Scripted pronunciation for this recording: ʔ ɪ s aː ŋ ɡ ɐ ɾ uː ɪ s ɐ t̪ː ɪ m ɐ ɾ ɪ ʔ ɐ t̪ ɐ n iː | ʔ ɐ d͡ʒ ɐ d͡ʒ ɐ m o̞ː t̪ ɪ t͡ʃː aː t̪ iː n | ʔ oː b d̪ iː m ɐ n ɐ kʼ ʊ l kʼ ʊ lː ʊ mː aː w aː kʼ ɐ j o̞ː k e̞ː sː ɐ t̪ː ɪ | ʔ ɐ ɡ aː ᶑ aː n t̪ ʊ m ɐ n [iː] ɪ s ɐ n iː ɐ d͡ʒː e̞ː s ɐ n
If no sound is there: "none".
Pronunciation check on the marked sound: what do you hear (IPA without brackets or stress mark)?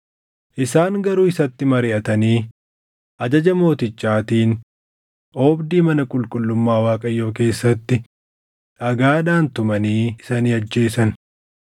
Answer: iː